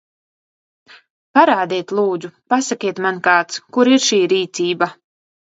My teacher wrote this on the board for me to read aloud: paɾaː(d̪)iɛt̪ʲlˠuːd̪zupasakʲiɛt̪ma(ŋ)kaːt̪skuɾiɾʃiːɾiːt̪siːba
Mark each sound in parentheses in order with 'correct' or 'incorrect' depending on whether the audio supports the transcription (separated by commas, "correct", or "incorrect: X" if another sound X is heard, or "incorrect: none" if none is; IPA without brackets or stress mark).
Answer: correct, incorrect: n